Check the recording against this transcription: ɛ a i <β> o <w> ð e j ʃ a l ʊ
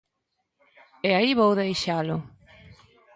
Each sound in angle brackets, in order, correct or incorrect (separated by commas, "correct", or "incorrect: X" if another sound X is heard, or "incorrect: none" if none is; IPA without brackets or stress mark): correct, correct